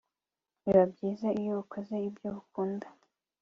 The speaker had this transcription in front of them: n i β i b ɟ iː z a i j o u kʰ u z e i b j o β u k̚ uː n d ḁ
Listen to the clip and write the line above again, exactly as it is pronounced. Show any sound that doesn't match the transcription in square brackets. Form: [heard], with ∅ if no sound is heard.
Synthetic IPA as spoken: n i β [a] b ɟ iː z a i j o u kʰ [o] z e i b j o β u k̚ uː n d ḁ